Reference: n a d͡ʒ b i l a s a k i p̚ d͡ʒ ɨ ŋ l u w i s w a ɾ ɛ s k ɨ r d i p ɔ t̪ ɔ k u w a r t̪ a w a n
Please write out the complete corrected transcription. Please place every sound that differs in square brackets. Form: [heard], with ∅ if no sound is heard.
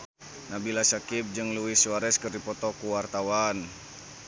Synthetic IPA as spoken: n a [∅] b i l a s a k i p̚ d͡ʒ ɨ ŋ l u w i s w a ɾ ɛ s k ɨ r d i p ɔ t̪ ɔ k u w a r t̪ a w a n